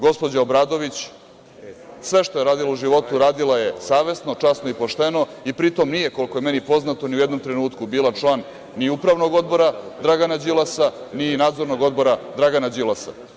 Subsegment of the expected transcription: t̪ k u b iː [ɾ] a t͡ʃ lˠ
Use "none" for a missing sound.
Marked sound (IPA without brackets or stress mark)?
l